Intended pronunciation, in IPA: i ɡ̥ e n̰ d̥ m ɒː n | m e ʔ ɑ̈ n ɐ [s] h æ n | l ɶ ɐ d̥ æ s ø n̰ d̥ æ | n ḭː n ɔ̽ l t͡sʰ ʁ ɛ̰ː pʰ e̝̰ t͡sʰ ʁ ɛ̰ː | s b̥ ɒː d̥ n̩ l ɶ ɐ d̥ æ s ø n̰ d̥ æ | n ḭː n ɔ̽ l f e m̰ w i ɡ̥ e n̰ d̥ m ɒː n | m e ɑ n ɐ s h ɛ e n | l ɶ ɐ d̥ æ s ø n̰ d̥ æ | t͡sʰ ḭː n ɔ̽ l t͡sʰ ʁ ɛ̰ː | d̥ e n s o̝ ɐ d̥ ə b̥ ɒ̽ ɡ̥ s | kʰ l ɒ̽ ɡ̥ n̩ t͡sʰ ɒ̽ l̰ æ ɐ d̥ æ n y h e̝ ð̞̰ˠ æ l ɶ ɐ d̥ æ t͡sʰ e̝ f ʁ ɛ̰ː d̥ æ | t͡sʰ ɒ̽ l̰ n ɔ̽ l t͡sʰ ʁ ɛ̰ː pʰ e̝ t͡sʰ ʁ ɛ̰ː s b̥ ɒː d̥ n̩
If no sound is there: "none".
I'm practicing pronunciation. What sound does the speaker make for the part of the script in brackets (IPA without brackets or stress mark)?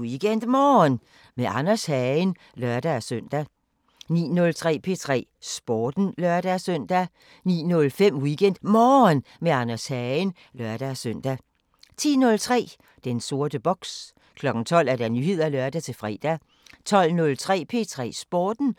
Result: s